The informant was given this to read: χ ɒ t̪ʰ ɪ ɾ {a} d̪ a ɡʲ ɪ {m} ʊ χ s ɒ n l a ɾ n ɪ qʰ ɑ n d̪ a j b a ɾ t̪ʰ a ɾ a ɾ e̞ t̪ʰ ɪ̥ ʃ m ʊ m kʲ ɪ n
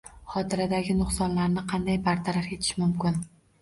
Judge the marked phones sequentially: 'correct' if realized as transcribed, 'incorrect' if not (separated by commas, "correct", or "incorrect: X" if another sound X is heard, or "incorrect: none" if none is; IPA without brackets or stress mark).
correct, incorrect: n